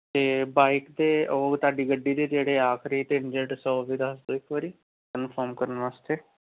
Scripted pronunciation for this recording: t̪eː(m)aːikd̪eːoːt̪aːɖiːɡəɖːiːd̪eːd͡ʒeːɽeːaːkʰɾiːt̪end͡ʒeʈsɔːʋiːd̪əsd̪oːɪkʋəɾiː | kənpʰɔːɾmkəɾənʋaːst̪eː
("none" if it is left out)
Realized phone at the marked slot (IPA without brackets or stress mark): b